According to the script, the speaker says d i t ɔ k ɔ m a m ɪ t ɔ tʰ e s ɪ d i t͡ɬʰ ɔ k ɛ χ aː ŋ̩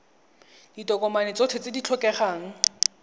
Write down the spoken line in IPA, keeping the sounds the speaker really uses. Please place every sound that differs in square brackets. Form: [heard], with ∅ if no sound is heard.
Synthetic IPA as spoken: d i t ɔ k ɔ m a [n] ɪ [t͡s] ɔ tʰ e [t͡s] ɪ d i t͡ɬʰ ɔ k ɛ χ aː ŋ̩

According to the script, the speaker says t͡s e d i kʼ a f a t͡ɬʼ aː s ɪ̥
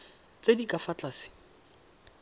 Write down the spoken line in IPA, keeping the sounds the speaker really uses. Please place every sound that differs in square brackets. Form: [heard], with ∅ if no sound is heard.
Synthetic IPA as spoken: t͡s e d i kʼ a f a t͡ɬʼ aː s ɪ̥

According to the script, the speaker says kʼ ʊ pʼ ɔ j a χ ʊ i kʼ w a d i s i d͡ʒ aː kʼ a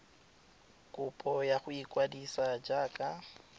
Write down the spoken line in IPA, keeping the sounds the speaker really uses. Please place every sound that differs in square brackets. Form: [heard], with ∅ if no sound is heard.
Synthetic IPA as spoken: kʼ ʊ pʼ ɔ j a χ ʊ i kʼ w a d i s [a] d͡ʒ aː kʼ a

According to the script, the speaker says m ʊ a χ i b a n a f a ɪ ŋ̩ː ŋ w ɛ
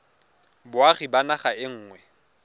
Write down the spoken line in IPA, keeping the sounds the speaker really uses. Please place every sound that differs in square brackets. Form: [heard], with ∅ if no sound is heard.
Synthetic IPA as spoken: [b] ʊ a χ i b a n a [χ] a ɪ ŋ̩ː ŋ w ɛ

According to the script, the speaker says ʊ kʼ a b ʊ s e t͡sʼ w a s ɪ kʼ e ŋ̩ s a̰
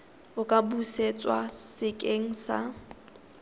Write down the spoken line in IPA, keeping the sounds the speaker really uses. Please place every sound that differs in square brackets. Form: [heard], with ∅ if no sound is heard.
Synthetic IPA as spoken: ʊ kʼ a b [u] s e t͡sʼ w a s ɪ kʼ e ŋ̩ s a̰

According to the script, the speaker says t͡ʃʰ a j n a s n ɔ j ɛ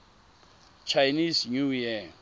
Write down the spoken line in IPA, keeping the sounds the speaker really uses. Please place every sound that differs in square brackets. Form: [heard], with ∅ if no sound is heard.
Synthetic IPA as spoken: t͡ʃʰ a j n [i] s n [u] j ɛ

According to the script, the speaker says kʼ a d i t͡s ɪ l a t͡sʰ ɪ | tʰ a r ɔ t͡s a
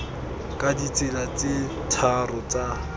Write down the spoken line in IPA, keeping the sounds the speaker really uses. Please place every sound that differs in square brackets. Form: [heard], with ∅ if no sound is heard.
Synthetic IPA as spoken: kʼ a d i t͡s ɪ l a [t͡s] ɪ | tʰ a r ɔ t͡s a

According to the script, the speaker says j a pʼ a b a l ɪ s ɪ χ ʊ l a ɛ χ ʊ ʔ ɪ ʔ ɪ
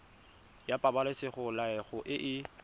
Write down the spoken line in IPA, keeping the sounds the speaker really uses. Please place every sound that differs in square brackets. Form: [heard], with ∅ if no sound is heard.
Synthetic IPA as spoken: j a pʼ a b a l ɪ s ɪ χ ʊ l a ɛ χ ʊ ʔ ɪ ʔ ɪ

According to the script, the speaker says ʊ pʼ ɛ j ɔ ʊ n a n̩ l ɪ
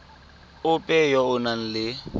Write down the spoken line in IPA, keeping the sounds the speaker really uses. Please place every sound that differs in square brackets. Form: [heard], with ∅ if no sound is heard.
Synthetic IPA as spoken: ʊ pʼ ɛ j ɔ ʊ n a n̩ l ɪ

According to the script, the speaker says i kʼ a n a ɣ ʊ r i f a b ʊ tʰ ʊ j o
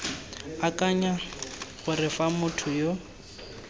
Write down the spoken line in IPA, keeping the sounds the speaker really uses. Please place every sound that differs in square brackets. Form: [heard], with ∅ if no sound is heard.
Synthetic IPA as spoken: [a] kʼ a [ɲ] a ɣ ʊ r [ɪ] f a [m] ʊ tʰ ʊ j o

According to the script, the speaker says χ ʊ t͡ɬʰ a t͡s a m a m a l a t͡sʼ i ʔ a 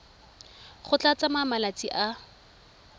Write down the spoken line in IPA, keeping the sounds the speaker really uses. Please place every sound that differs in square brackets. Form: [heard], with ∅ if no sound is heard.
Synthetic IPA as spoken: χ ʊ [t͡ɬ] a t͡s a m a m a l a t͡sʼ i ʔ a

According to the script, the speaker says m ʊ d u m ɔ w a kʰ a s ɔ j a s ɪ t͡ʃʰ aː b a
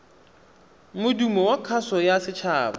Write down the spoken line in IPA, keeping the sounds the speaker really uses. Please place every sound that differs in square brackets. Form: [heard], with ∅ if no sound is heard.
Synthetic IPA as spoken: m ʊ d u m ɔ w a kʰ a s ɔ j a s ɪ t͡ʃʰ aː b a

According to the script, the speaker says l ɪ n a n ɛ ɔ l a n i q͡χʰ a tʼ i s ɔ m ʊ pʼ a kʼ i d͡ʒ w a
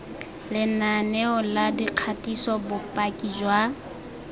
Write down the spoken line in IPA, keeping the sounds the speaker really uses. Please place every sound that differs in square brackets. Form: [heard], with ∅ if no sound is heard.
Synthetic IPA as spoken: l ɪ n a n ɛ ɔ l a [d] i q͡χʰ a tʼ i s ɔ [b] ʊ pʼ a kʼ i d͡ʒ w a

